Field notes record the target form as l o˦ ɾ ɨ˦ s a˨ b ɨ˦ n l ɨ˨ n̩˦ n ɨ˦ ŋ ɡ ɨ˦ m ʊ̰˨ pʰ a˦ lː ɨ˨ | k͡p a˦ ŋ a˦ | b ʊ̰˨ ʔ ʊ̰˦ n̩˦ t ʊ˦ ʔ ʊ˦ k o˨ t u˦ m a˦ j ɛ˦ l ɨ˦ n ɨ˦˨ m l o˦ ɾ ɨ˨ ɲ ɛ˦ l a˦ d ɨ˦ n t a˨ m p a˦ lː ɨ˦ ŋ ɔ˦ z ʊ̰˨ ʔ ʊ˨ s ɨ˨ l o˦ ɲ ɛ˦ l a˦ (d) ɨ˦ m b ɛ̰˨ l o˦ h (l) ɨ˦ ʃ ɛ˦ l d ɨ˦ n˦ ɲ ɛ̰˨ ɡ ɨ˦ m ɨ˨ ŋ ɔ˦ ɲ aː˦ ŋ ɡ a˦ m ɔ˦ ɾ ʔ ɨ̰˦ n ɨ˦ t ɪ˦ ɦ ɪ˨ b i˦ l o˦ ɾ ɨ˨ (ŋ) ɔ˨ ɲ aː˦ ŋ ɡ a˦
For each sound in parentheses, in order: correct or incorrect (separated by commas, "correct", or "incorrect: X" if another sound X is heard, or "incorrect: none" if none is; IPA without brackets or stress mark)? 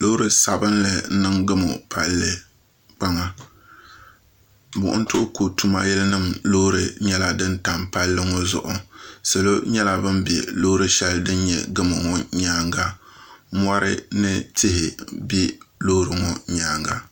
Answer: incorrect: b, incorrect: ɾ, correct